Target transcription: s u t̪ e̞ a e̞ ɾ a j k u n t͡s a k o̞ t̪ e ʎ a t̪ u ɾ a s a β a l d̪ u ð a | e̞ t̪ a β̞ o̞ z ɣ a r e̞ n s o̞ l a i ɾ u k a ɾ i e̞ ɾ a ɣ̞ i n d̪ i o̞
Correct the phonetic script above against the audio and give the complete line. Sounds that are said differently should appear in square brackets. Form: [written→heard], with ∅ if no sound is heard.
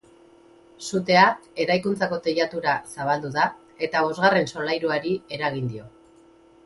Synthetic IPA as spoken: s u t̪ e̞ a e̞ ɾ a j k u n t͡s a k o̞ t̪ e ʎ a t̪ u ɾ a s a β a l d̪ u ð a | e̞ t̪ a β̞ o̞ z ɣ a r e̞ n s o̞ l a [i→j] ɾ u [k→∅] a ɾ i e̞ ɾ a ɣ̞ i n d̪ i o̞